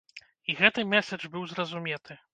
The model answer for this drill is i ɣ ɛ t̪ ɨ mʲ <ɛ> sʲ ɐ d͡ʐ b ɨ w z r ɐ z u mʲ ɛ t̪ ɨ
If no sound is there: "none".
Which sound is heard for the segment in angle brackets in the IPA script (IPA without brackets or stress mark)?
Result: ɛ